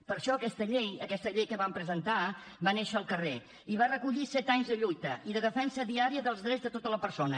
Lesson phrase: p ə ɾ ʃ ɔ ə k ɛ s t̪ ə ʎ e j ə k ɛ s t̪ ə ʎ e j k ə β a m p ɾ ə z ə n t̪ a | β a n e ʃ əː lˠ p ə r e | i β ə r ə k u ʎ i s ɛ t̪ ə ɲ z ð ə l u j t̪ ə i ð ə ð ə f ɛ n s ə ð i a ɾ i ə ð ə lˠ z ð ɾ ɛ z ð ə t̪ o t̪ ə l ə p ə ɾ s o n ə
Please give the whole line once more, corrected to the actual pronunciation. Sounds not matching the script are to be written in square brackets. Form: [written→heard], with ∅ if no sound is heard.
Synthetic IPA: p ə ɾ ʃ ɔ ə k ɛ s t̪ ə ʎ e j ə k ɛ s t̪ ə ʎ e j k ə β a m p ɾ ə z ə n t̪ a | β a n e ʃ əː lˠ [p→k] ə r e | i β [ə→a] r ə k u ʎ i s ɛ t̪ [ə→a] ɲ z ð ə [l→ʎ] u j t̪ ə i ð ə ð ə f ɛ n s ə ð i a ɾ i ə ð ə lˠ z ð ɾ ɛ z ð ə t̪ o t̪ ə l ə p ə ɾ s o n ə